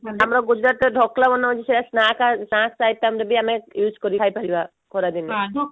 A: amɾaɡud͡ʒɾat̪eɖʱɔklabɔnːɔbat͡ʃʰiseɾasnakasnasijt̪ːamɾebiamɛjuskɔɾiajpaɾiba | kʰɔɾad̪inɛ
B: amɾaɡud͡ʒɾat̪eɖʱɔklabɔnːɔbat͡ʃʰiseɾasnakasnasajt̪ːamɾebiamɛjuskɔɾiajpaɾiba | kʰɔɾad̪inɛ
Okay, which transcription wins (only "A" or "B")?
B